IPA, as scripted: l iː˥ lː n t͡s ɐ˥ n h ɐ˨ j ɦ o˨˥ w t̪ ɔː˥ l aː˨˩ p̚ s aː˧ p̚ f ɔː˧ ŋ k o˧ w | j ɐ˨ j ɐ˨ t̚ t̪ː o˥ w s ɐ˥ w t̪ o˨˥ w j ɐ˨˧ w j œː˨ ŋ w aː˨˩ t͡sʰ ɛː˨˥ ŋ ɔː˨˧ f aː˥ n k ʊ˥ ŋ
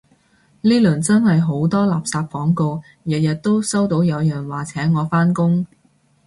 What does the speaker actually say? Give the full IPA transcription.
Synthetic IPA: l iː˥ lː n t͡s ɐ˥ n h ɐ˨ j ɦ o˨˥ w t̪ ɔː˥ l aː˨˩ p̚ s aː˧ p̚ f ɔː˨˥ ŋ k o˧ w | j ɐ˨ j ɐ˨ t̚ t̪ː o˥ w s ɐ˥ w t̪ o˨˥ w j ɐ˨˧ w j œː˨ ŋ w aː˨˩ t͡sʰ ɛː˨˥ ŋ ɔː˨˧ f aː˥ n k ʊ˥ ŋ